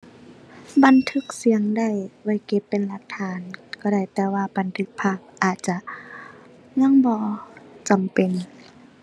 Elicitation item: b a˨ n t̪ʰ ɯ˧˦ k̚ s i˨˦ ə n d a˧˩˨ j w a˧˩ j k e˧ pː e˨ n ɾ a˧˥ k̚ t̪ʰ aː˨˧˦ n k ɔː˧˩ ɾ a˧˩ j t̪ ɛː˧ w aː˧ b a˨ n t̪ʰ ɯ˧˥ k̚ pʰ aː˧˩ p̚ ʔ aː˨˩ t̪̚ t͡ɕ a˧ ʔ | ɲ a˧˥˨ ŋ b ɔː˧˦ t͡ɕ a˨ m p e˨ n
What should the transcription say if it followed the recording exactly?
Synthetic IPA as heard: b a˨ n t̪ʰ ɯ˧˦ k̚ s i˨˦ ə ŋ d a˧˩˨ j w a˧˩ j k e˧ pː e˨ n l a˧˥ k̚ t̪ʰ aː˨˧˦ n k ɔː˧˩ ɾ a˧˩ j t̪ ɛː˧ w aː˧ b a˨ n t̪ʰ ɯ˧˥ k̚ pʰ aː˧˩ p̚ ʔ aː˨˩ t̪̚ t͡ɕ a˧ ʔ | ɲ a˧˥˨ ŋ b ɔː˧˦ t͡ɕ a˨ m p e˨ n

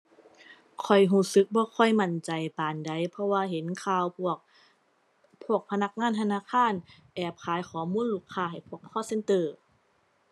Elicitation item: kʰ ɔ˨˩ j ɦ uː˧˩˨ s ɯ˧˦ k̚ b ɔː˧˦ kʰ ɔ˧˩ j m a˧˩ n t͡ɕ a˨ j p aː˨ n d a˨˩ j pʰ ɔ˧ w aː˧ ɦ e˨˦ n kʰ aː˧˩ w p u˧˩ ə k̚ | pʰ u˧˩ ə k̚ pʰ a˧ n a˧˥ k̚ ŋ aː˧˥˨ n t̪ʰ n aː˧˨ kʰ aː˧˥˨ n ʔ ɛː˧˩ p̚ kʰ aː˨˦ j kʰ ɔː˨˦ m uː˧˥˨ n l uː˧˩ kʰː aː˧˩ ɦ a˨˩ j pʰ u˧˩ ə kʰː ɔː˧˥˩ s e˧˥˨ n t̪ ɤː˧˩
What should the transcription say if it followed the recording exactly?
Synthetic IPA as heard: kʰ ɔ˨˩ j ɦ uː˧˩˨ s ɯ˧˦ k̚ b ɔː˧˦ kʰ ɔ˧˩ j m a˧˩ n t͡ɕ a˨ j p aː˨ n d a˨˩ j pʰ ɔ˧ w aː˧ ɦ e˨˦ n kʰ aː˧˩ w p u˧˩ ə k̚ | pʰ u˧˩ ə k̚ pʰ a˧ n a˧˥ k̚ ŋ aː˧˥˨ n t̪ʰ n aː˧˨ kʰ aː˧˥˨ n ʔ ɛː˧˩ p̚ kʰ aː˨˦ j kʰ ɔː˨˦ m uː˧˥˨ n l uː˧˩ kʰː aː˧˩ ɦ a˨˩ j pʰ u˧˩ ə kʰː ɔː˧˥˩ s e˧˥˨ n t̪ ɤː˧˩

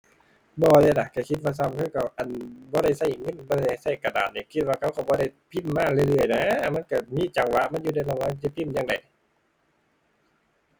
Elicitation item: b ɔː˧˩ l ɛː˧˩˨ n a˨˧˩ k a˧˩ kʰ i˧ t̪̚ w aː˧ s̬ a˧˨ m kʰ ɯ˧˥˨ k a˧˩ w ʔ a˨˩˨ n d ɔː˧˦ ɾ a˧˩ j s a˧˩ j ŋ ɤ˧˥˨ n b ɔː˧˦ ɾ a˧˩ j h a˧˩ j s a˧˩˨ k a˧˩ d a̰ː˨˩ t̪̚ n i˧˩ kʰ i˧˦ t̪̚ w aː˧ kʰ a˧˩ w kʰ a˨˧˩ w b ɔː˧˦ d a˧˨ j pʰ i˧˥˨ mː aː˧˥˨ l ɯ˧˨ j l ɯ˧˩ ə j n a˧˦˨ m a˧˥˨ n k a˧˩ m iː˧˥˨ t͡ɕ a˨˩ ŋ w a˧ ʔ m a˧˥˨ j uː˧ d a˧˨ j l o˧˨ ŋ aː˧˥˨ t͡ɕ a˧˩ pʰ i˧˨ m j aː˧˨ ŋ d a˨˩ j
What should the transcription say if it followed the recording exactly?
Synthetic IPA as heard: b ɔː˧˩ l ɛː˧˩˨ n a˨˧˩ k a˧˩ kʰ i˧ t̪̚ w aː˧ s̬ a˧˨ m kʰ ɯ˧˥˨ k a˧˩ w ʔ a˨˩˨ n b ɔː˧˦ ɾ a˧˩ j s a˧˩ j ŋ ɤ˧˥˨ n b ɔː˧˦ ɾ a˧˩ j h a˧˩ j s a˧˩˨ k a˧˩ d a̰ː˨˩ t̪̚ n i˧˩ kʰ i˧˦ t̪̚ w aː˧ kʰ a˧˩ w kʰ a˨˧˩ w b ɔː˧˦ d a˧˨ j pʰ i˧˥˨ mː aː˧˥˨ l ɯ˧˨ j l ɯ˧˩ ə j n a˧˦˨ m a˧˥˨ n k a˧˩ m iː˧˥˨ t͡ɕ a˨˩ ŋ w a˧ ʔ m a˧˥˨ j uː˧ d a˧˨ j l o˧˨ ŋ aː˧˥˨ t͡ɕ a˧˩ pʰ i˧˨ m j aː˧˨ ŋ d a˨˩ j

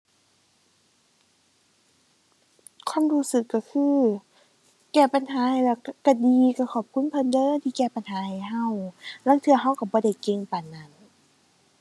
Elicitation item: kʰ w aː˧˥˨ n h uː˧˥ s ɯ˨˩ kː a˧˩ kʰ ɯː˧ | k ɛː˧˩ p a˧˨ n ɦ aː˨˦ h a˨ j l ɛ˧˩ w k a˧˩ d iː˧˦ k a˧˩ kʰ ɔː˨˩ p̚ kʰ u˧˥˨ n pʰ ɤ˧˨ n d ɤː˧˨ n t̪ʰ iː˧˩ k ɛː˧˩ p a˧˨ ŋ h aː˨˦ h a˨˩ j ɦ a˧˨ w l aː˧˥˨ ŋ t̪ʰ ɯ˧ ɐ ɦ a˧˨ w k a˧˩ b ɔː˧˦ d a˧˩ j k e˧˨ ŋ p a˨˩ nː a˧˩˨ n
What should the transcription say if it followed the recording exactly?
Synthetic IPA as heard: kʰ w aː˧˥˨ m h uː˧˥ s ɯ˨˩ kː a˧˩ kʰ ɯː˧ | k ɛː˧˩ p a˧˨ n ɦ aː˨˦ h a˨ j l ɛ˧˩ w k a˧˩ d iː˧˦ k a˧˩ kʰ ɔː˨˩ p̚ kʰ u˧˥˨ n pʰ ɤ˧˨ n d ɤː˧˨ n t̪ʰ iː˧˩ k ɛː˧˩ p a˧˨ n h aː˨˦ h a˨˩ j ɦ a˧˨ w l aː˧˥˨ ŋ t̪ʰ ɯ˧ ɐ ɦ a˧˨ w k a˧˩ b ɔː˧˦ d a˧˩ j k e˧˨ ŋ p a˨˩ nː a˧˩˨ n

